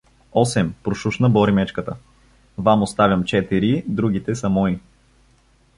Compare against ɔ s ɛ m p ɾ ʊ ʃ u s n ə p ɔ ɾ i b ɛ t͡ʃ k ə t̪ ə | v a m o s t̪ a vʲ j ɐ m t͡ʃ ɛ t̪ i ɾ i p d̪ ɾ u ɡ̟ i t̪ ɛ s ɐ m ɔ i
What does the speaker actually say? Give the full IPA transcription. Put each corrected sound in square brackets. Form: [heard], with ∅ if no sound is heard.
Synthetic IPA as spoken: ɔ s ɛ m p ɾ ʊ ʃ u [ʃ] n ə [b] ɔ ɾ i [m] ɛ t͡ʃ k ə t̪ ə | v a m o s t̪ a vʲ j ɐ m t͡ʃ ɛ t̪ i ɾ i [∅] d̪ ɾ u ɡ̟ i t̪ ɛ s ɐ m ɔ i